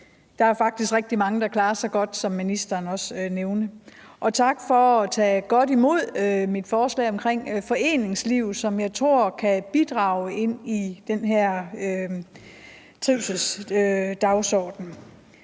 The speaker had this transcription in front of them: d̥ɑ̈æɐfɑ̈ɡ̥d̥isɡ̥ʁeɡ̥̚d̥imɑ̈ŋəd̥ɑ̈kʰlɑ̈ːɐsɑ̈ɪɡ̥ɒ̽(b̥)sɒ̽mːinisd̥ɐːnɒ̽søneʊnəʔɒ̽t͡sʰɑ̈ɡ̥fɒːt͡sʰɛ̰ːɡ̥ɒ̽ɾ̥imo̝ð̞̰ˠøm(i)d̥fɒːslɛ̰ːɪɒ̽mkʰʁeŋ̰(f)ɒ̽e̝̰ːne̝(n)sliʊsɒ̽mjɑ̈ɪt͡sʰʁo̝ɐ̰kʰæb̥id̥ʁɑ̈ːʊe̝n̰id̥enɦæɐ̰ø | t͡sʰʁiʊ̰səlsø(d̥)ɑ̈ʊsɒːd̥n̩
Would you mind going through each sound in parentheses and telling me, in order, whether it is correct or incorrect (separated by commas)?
incorrect, correct, correct, incorrect, correct